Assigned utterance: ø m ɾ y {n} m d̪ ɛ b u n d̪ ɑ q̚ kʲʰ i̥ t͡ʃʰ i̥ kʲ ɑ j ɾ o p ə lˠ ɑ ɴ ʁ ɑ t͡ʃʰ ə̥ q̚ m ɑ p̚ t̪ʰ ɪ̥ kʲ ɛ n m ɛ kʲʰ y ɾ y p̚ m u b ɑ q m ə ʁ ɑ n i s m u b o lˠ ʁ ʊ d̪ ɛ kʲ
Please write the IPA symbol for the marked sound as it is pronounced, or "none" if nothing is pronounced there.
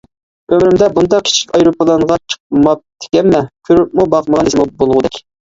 none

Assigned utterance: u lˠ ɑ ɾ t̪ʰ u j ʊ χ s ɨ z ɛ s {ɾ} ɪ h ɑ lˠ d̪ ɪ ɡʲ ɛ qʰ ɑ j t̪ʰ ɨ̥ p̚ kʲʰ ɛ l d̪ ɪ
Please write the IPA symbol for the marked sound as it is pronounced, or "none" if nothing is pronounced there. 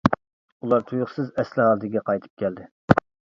l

